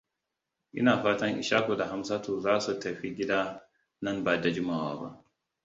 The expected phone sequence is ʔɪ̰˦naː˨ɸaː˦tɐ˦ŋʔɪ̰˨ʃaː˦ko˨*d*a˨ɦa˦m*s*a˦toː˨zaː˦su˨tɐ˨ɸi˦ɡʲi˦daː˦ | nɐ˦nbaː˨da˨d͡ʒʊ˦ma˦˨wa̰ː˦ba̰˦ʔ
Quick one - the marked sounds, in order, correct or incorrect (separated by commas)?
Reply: correct, correct